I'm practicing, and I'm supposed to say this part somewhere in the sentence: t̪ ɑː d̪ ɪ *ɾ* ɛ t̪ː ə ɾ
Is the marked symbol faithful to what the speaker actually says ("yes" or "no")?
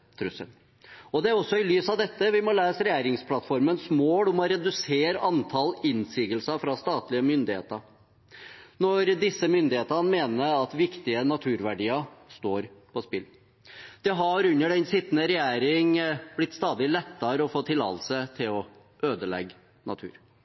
no